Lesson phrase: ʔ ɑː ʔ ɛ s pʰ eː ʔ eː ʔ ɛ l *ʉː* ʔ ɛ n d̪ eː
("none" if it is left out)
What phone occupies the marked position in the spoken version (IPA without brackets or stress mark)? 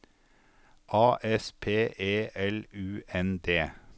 ʉː